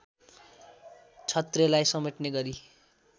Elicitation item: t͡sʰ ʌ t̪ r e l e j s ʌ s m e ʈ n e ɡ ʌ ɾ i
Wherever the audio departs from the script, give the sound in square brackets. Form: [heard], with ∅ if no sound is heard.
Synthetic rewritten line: t͡sʰ ʌ t̪ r e l [a] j s ʌ [∅] m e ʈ n e ɡ ʌ ɾ i